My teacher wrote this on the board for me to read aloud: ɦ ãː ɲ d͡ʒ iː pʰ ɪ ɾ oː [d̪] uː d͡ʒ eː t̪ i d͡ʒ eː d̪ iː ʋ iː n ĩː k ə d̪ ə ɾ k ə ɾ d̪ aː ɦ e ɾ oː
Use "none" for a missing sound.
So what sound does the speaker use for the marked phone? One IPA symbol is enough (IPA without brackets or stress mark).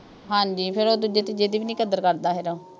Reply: d̪